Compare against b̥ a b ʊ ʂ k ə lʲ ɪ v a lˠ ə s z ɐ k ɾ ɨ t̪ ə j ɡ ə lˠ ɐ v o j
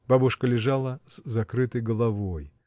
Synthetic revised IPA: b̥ a b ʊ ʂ k ə lʲ ɪ ʐ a lˠ ə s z ɐ k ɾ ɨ t̪ ə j ɡ ə lˠ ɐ v o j